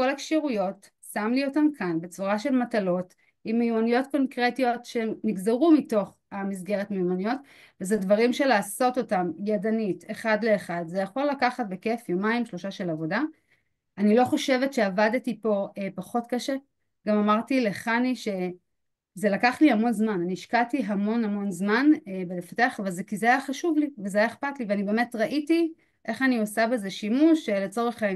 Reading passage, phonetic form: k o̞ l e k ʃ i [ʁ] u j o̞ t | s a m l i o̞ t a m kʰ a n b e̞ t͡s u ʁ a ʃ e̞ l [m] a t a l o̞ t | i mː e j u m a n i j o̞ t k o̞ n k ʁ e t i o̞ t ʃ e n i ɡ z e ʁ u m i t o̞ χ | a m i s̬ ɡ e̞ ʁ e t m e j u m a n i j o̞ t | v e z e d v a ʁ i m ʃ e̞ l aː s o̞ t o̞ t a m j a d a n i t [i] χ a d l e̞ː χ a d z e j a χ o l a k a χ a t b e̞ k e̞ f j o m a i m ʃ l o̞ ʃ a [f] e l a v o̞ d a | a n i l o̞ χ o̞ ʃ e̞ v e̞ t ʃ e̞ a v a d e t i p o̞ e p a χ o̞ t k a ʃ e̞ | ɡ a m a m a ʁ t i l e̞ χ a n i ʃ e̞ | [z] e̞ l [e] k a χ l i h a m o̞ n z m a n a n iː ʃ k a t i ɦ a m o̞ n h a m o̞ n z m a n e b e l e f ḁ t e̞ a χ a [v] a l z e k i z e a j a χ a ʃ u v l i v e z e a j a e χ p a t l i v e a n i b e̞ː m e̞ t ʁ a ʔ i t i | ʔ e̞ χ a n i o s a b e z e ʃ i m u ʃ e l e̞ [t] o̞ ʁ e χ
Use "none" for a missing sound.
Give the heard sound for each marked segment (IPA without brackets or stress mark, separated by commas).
ʁ, m, e, ʃ, z, a, v, t͡s